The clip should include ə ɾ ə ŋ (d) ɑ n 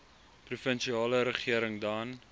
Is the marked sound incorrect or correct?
correct